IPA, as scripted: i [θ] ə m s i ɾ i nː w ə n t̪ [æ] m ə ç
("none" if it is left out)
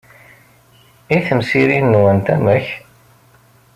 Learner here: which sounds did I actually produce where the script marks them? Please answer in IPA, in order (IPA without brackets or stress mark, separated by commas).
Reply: θ, æ